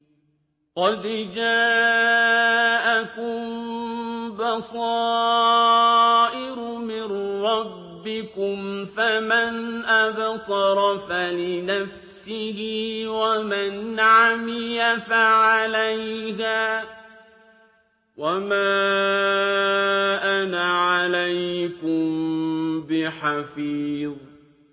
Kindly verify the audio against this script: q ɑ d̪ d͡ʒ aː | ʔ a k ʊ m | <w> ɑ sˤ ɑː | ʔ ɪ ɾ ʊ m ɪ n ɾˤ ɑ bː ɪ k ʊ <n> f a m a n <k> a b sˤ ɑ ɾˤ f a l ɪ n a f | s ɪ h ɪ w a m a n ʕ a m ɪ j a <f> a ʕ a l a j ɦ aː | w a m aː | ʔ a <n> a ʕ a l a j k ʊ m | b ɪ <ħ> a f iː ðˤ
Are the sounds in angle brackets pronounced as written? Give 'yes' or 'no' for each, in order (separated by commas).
no, no, no, yes, yes, yes